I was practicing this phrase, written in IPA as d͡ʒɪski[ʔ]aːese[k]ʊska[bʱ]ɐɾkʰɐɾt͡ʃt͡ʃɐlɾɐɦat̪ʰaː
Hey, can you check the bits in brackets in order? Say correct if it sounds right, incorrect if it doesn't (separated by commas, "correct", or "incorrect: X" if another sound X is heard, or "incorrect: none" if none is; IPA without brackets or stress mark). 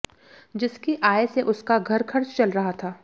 correct, incorrect: ʔ, incorrect: ɡʱ